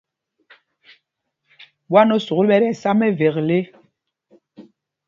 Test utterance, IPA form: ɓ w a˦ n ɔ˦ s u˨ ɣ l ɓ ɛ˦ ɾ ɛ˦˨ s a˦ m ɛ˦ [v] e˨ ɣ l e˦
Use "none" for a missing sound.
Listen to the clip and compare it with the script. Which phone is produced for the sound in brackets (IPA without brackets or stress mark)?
v